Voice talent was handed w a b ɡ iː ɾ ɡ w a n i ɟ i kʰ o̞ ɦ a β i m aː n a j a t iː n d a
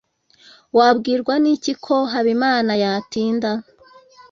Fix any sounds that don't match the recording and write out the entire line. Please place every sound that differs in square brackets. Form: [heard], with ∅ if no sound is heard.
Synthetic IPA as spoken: w a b ɡ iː ɾ ɡ w a n i [c] i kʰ o̞ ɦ a β i m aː n a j a t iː n d a

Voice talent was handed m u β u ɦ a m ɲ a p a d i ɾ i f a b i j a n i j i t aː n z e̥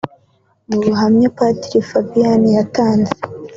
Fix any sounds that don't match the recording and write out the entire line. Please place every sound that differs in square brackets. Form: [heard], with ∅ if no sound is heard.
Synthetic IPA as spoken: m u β u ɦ a m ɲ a p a [t] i ɾ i f a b i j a n i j [a] t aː n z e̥

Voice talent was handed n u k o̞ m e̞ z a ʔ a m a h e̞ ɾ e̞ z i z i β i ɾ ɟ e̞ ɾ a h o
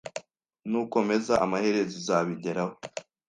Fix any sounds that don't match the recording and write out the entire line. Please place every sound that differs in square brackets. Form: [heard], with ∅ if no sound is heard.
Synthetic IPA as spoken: n u k o̞ m e̞ z a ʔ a m a h e̞ ɾ e̞ z i z [a] β i [∅] ɟ e̞ ɾ a h o

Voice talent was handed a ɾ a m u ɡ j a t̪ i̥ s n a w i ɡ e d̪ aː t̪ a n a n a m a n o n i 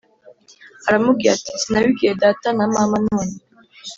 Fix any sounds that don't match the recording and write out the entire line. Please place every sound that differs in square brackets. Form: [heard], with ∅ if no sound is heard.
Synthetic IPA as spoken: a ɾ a m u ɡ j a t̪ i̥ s n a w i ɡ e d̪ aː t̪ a n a [m] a m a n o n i

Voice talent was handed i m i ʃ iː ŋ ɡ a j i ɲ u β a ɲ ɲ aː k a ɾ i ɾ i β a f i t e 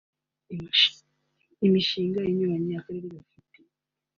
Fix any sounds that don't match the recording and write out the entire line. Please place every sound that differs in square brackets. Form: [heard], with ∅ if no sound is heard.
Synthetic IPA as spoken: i m i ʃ iː ŋ ɡ a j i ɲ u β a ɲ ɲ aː k a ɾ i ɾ i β a f i t e

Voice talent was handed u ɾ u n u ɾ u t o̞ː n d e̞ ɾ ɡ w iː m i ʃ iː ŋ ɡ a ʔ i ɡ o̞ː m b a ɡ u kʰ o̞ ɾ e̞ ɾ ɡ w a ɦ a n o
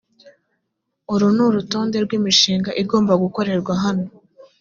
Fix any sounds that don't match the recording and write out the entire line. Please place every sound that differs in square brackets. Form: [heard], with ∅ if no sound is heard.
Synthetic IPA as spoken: u ɾ u n u ɾ u t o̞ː n d e̞ ɾ ɡ w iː m i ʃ iː ŋ ɡ a ʔ i ɡ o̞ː m b a ɡ u [k] o̞ ɾ e̞ ɾ ɡ w a ɦ a n o

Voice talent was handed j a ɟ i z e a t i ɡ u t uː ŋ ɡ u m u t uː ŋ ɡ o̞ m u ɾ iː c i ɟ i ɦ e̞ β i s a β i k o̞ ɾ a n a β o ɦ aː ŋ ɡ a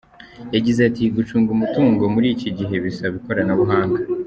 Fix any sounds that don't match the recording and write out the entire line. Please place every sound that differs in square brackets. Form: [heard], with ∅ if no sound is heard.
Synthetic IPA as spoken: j a ɟ i z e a t i ɡ u [t͡ʃ] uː ŋ ɡ u m u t uː ŋ ɡ o̞ m u ɾ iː c i ɟ i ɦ e̞ β i s a β i k o̞ ɾ a n a β [u] ɦ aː ŋ ɡ a

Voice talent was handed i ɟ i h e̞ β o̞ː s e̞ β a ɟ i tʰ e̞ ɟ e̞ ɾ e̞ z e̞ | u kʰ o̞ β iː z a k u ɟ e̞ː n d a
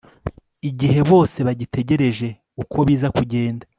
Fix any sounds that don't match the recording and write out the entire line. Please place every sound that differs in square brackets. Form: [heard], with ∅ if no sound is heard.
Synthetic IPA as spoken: i ɟ i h e̞ β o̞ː s e̞ β a ɟ i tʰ e̞ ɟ e̞ ɾ e̞ [ʒ] e̞ | u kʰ o̞ β iː z a k u ɟ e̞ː n d a

